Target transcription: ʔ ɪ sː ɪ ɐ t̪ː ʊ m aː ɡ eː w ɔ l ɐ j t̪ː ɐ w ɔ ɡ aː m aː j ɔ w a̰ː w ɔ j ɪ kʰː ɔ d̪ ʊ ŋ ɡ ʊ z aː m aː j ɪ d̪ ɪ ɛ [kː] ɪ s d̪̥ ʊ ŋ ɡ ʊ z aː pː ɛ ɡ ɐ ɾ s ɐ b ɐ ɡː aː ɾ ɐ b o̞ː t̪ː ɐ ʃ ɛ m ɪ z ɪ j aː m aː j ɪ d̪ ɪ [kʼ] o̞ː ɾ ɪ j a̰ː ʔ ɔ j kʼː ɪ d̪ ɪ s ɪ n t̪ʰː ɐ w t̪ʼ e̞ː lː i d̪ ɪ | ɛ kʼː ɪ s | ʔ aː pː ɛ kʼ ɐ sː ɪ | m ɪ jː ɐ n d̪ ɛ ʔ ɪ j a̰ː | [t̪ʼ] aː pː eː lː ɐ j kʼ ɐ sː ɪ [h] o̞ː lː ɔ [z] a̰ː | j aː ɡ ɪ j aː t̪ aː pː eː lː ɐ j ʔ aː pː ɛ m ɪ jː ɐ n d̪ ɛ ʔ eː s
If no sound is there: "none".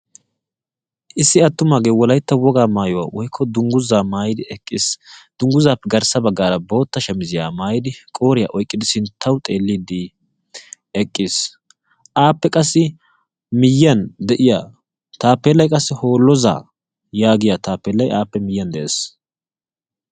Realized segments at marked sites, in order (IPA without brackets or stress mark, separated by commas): kʼː, kʼ, t̪, h, z